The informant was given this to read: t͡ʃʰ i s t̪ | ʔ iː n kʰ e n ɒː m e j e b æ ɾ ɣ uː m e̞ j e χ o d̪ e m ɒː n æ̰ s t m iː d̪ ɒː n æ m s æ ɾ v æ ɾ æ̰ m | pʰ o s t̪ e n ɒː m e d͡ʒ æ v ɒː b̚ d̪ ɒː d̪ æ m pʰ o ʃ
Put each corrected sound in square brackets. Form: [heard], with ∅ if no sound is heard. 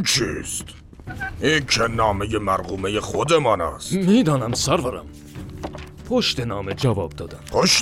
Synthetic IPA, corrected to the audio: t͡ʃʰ i s t̪ | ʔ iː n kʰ e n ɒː m e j e [m] æ ɾ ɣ uː m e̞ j e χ o d̪ e m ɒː n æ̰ s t m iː d̪ ɒː n æ m s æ ɾ v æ ɾ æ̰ m | pʰ o [ʃ] t̪ e n ɒː m e d͡ʒ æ v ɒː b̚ d̪ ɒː d̪ æ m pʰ o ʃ